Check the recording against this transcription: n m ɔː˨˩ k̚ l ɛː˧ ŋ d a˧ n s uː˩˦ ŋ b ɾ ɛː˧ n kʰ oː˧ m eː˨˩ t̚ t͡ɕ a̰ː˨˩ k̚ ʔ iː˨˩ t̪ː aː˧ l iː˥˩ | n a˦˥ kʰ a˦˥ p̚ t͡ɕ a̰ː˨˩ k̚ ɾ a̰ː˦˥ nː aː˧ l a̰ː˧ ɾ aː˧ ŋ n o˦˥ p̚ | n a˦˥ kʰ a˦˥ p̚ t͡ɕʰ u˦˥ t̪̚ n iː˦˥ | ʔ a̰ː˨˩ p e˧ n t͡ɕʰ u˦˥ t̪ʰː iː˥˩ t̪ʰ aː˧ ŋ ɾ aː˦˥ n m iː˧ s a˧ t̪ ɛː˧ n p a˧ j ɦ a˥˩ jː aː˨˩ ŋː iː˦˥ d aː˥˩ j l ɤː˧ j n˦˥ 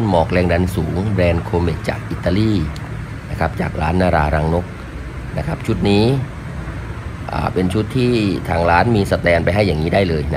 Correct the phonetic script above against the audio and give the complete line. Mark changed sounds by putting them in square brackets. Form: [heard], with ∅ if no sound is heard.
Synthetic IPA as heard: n m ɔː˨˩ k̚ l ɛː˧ ŋ d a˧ n s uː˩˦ ŋ b ɾ ɛː˧ n kʰ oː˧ m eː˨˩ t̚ t͡ɕ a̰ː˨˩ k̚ ʔ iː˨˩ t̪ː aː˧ l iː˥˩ | n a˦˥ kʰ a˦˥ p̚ t͡ɕ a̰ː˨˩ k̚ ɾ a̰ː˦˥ nː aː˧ [ɾ] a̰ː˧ ɾ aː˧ ŋ n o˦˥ [k̚] | n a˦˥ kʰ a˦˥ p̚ t͡ɕʰ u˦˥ t̪̚ n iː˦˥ | ʔ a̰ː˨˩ p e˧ n t͡ɕʰ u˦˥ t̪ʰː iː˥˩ t̪ʰ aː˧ ŋ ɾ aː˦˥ n m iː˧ s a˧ t̪ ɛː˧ n p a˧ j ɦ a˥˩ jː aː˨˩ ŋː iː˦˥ d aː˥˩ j l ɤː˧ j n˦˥